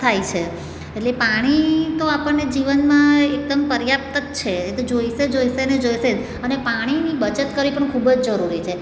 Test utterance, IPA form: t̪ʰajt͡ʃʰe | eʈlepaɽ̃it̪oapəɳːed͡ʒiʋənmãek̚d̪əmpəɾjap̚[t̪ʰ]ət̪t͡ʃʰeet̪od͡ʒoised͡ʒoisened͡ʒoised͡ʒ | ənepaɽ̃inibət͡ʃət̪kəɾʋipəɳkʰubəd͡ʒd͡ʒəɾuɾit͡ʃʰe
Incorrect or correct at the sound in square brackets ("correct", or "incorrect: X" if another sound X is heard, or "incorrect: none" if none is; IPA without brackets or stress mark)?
incorrect: t̪